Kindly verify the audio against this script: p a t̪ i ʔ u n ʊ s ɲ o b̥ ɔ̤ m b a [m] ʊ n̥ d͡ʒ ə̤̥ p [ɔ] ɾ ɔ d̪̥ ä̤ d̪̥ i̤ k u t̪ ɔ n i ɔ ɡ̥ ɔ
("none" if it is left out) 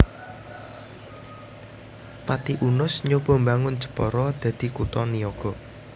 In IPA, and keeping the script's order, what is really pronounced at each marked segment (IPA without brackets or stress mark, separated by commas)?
ŋ, ɔ